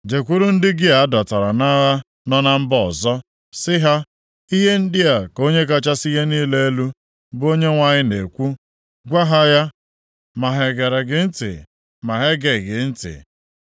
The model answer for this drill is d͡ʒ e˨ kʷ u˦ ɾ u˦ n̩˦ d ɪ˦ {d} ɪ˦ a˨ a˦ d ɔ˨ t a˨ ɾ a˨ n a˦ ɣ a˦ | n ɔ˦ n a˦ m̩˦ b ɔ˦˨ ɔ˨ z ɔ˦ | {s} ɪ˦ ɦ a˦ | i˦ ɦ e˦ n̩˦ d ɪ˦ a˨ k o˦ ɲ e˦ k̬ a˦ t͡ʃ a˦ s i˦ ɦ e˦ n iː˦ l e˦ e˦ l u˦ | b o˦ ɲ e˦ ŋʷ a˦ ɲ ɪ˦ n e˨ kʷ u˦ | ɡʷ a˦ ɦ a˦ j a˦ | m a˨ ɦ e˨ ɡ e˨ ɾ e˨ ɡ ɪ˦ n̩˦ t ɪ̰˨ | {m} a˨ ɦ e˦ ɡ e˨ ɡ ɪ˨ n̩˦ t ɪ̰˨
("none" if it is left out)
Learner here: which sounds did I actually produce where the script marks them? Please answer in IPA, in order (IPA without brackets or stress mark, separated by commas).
ɡ, s, m